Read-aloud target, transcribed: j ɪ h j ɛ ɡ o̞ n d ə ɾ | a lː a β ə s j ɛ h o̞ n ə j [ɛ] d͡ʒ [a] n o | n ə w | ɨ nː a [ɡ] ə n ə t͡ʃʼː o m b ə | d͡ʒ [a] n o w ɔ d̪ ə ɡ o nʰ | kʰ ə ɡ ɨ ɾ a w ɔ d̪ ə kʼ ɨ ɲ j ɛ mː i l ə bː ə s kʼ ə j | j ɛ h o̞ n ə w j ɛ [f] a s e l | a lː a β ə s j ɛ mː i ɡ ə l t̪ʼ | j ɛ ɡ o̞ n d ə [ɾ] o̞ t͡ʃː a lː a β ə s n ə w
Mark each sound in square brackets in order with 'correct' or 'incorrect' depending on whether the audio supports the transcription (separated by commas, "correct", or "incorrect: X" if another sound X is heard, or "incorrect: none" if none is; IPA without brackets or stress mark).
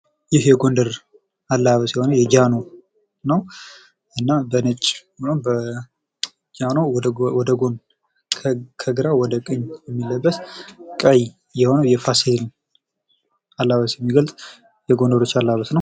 correct, correct, incorrect: b, correct, correct, correct